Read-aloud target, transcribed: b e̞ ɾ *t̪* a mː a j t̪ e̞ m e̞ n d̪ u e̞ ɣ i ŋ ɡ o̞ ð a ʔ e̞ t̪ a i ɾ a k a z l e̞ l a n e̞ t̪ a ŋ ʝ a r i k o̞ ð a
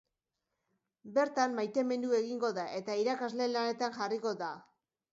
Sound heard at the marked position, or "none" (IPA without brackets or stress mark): t̪